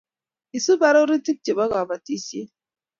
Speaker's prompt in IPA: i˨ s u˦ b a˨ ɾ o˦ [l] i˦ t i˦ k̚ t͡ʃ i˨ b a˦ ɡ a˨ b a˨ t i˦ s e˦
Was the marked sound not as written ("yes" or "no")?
yes